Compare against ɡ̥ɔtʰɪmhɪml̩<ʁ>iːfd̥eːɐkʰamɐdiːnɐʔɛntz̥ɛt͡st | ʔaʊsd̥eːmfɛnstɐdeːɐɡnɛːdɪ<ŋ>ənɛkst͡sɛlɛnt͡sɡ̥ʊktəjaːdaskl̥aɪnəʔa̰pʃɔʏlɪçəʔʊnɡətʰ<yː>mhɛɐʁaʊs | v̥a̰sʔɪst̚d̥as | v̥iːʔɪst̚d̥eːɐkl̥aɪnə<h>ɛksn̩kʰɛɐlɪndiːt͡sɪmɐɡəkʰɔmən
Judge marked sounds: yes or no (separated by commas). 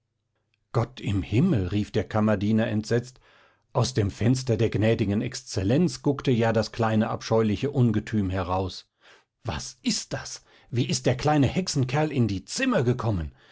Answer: yes, no, yes, yes